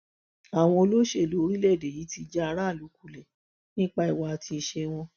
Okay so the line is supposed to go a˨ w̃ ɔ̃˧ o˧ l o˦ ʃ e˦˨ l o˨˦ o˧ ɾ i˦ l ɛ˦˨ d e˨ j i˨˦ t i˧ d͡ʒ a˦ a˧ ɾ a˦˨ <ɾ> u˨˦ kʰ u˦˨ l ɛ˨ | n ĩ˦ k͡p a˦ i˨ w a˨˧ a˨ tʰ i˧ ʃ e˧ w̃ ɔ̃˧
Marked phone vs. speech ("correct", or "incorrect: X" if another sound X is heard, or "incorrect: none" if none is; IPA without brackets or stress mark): incorrect: l